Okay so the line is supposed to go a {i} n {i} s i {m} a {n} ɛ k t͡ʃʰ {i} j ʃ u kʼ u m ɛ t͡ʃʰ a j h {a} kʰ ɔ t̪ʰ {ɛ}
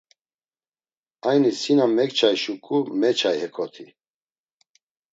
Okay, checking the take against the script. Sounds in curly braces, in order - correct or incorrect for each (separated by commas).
incorrect, correct, incorrect, incorrect, incorrect, incorrect, incorrect